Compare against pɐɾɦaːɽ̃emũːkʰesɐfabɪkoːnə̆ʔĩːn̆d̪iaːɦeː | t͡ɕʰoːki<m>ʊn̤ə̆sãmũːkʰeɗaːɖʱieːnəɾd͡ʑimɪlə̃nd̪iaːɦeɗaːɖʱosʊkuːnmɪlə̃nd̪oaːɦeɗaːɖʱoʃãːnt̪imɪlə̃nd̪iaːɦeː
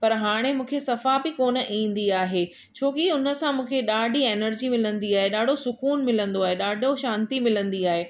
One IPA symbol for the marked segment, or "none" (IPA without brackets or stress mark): none